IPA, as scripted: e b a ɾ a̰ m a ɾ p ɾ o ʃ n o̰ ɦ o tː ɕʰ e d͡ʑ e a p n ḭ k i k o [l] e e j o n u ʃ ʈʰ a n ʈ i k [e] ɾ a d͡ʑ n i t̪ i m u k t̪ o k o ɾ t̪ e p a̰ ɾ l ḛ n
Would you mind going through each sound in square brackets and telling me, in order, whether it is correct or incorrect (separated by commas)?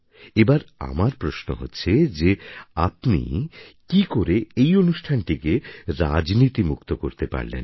incorrect, correct